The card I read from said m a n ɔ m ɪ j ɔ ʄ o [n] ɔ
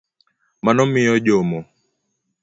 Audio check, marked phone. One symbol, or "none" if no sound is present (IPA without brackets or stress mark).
m